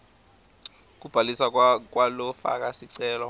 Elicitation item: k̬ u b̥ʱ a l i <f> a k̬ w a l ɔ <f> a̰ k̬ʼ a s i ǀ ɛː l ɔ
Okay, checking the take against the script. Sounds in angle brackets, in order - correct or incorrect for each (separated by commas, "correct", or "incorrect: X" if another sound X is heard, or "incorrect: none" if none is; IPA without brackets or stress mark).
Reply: incorrect: s, correct